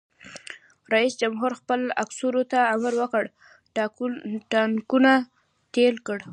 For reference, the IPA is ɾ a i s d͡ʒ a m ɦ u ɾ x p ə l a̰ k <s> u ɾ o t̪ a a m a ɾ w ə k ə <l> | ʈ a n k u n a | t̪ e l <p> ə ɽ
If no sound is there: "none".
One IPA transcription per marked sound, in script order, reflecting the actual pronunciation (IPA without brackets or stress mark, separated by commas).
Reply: s, ɽ, k